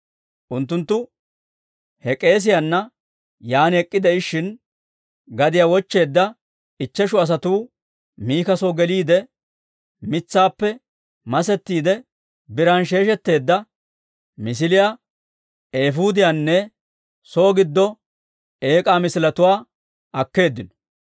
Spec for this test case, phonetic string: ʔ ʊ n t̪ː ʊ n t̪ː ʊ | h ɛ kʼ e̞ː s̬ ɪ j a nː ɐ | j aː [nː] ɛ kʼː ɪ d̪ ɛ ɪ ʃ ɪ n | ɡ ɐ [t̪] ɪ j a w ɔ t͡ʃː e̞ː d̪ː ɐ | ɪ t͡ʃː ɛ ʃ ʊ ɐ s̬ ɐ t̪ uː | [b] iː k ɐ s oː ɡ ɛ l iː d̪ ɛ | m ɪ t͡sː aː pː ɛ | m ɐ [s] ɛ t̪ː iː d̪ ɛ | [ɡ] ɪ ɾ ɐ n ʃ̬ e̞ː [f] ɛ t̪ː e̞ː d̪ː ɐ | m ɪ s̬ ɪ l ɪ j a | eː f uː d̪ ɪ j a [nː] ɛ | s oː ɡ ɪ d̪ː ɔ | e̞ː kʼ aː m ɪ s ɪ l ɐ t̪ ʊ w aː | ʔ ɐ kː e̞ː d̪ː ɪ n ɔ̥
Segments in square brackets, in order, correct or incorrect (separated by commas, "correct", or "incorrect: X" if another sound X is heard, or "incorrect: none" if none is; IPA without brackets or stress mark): incorrect: n, incorrect: d̪, incorrect: m, correct, incorrect: b, incorrect: ʃ, correct